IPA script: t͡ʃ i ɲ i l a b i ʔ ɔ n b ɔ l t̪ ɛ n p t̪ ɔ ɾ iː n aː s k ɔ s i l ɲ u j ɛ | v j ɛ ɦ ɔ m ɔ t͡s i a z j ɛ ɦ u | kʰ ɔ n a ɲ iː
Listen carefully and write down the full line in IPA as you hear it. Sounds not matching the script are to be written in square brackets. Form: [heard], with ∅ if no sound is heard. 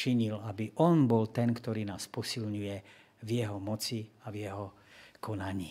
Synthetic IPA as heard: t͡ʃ i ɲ i l a b i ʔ ɔ n b ɔ l t̪ ɛ n [k] t̪ ɔ ɾ iː n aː s [p] ɔ s i l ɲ u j ɛ | v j ɛ ɦ ɔ m ɔ t͡s i a [v] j ɛ ɦ [ɔ] | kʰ ɔ n a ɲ iː